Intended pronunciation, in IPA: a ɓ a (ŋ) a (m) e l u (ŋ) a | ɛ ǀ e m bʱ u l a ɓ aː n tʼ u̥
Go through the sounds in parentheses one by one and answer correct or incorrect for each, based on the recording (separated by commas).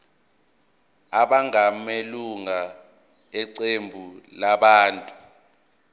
correct, correct, correct